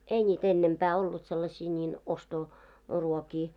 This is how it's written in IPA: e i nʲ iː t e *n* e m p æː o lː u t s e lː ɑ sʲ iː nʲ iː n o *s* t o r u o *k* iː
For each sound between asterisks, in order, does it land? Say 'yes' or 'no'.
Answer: no, yes, yes

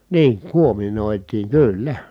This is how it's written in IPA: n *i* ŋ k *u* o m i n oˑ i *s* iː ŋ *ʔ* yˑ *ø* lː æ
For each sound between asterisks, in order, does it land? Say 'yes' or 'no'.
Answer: no, yes, no, no, no

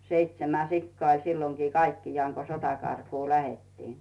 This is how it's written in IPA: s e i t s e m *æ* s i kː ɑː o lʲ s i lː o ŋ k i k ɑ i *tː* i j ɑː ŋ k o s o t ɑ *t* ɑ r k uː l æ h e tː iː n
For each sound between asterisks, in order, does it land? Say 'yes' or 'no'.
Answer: yes, no, no

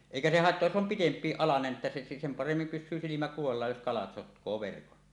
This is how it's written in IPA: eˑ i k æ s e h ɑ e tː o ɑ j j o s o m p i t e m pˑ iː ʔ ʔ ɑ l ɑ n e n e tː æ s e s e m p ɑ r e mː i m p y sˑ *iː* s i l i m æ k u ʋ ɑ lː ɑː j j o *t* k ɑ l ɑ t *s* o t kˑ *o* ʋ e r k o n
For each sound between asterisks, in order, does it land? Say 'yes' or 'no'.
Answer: no, no, yes, no

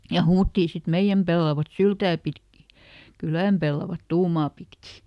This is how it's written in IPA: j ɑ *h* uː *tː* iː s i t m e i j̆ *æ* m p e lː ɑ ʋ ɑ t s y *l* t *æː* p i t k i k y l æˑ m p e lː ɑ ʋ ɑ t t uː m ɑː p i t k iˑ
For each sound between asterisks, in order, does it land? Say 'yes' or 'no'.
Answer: yes, yes, yes, yes, yes

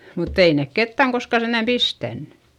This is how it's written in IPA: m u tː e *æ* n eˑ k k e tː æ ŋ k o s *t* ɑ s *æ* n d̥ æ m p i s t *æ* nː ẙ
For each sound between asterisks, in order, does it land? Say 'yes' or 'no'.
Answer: no, no, no, yes

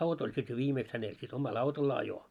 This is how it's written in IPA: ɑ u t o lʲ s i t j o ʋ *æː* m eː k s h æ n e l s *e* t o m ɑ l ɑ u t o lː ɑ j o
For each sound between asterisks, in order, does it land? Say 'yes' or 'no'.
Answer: no, no

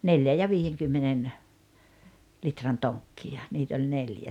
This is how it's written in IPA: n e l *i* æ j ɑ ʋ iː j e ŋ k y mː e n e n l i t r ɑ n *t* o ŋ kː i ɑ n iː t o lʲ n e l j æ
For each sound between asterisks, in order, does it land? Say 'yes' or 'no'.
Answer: no, yes

